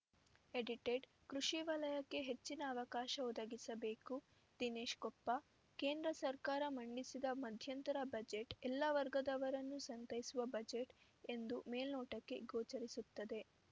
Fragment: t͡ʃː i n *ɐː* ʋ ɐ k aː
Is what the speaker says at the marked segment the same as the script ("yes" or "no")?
yes